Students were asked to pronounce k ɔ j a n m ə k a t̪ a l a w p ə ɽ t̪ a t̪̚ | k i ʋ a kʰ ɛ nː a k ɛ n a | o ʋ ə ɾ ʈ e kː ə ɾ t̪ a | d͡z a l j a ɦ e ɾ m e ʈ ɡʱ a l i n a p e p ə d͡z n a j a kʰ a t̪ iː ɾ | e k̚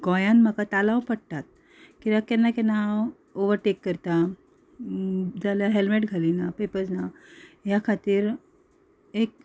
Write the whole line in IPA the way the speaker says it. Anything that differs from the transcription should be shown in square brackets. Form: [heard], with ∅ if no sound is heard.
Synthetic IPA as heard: [ɡ] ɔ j a n m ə k a t̪ a l a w p ə ɽ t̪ a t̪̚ | k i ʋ a [k] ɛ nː a k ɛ n a | o ʋ ə ɾ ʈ e kː ə ɾ t̪ a | d͡z a l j a ɦ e [l] m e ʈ ɡʱ a l i n a p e p ə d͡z n a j a kʰ a t̪ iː ɾ | e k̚